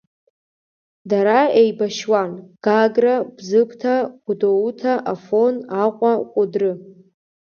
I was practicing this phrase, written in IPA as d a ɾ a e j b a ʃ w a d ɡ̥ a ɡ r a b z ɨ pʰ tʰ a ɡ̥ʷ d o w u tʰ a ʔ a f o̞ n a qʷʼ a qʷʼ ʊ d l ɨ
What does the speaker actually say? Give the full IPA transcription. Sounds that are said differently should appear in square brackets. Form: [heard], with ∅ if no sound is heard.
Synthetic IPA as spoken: d a ɾ a e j b a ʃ w a [n] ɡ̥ a ɡ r a b z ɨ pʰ tʰ a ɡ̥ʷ d o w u tʰ a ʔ a f o̞ n a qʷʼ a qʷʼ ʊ d [r] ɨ